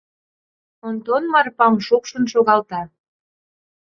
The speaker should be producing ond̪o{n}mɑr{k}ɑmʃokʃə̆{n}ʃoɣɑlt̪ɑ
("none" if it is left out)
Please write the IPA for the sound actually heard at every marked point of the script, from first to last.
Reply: n, p, n

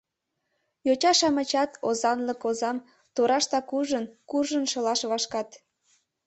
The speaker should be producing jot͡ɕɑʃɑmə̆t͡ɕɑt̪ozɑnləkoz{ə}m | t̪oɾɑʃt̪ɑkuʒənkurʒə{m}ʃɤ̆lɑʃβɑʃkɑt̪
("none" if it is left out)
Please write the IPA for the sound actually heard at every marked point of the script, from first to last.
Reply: ɑ, n

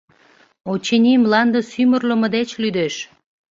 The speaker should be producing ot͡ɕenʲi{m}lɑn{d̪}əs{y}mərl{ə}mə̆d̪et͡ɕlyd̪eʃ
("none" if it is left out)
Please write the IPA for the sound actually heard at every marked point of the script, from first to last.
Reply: m, d̪, y, ə

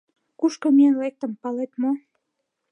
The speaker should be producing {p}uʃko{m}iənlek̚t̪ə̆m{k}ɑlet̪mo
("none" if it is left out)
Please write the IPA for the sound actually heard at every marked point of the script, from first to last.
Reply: k, m, p

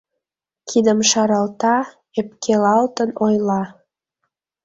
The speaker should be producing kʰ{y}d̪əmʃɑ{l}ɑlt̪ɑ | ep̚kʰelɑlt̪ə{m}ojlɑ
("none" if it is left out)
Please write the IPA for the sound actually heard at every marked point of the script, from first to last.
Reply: i, ɾ, n

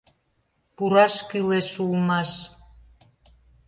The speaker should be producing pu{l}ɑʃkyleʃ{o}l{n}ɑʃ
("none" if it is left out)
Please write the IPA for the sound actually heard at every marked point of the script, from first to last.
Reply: ɾ, u, m

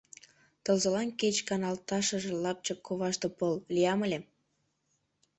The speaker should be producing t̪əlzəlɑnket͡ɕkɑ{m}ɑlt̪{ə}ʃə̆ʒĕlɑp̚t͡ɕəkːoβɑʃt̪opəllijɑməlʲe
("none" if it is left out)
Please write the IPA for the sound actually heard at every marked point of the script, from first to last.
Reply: n, ɑ

